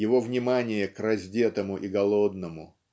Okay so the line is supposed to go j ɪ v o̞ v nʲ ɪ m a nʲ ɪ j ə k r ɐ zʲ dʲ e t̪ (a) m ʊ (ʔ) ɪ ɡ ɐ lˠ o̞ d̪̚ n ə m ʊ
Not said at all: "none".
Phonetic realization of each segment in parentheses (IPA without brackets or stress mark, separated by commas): ə, ʔ